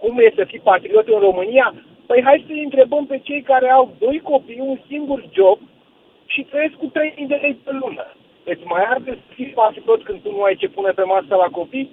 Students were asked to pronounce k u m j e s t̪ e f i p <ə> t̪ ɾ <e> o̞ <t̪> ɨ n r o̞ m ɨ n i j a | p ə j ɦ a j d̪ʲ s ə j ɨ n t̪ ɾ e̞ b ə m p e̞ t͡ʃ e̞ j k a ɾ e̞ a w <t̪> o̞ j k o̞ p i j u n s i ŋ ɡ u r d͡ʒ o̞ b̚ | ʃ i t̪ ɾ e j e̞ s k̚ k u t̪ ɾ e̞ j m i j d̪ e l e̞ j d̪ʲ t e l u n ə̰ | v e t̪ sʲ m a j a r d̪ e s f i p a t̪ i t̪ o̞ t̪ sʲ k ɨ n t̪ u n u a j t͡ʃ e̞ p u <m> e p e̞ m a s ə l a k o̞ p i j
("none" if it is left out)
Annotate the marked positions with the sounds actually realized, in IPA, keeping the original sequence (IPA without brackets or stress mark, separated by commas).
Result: a, i, t̪, d̪, n